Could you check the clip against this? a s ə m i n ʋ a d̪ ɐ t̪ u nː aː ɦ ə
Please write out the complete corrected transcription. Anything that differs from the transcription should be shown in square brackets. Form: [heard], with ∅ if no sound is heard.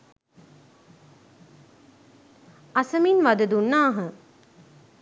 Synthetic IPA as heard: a s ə m i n ʋ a d̪ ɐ [d̪] u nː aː ɦ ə